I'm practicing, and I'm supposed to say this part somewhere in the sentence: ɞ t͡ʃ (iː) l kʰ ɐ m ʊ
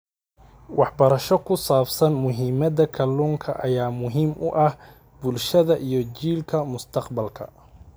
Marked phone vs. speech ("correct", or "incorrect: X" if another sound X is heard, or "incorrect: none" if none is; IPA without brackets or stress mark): correct